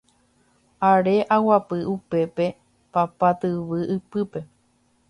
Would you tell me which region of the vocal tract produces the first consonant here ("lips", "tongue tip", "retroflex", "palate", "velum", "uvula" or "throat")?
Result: tongue tip